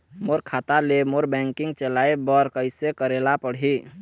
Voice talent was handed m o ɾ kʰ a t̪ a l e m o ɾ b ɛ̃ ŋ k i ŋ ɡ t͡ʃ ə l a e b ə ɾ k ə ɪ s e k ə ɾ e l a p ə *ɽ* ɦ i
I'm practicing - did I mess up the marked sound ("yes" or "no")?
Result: no